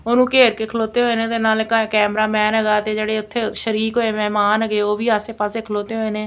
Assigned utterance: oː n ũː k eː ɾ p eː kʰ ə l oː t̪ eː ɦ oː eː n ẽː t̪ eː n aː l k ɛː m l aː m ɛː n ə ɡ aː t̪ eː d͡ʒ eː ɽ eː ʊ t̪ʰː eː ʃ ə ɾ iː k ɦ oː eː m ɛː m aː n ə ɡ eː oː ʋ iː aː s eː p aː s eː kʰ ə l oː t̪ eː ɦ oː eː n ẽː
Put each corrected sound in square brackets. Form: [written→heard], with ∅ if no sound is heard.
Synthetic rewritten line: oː n ũː k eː ɾ [p→k] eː kʰ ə l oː t̪ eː ɦ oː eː n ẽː t̪ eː n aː l k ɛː m [l→ɾ] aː m ɛː n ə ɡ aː t̪ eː d͡ʒ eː ɽ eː ʊ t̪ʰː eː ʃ ə ɾ iː k ɦ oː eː m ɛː m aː n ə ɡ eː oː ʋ iː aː s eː p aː s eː kʰ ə l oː t̪ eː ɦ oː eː n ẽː